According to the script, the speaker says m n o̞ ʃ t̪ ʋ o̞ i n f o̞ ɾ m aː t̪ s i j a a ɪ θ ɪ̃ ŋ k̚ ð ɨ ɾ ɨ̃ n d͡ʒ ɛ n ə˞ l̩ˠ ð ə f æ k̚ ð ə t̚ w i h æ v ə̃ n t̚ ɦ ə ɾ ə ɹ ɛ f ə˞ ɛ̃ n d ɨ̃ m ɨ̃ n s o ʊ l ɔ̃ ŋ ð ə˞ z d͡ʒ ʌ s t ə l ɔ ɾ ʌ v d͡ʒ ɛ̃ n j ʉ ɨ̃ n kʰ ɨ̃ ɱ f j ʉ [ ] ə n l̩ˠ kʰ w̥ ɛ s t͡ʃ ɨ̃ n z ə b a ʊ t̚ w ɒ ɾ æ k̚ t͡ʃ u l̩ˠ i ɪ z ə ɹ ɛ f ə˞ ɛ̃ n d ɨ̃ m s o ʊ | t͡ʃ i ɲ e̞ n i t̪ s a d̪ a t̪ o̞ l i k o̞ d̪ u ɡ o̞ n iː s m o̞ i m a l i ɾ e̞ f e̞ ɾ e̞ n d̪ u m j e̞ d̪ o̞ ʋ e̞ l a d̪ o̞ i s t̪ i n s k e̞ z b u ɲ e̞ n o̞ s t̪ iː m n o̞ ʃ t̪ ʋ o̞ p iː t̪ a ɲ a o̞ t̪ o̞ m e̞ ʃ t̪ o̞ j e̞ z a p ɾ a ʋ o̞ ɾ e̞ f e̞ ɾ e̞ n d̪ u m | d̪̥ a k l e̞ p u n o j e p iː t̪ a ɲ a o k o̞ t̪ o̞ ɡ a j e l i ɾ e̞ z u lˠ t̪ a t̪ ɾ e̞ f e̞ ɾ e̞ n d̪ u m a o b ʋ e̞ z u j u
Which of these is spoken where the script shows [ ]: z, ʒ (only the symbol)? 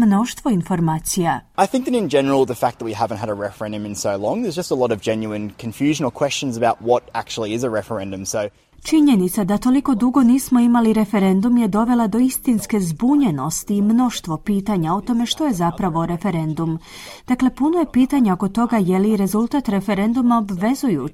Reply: ʒ